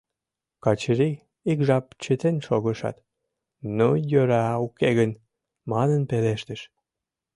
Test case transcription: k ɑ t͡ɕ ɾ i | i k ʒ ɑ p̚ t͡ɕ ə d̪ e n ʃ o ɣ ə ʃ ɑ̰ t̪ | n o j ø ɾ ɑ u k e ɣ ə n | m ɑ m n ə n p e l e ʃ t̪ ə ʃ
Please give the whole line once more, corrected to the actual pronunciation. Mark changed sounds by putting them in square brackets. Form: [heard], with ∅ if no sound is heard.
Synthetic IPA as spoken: k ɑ t͡ɕ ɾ i | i k ʒ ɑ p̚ t͡ɕ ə [t̪] e n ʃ o ɣ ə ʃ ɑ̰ t̪ | n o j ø ɾ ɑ u k e ɣ ə n | m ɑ [∅] n ə n p e l e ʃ t̪ ə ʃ